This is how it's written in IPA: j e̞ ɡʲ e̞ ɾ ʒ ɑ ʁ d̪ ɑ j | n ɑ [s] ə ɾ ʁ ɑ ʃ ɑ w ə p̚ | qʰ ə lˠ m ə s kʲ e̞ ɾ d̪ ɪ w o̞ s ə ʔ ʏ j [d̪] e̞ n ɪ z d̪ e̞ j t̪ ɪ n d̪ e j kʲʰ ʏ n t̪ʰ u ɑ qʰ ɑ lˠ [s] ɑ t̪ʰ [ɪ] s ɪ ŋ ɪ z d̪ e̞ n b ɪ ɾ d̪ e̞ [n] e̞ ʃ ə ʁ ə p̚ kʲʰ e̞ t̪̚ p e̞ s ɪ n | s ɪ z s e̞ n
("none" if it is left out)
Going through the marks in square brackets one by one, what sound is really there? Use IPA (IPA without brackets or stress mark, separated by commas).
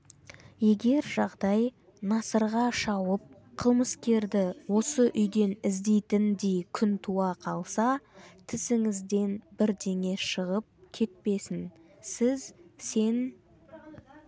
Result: s, d̪, s, ɪ, ŋ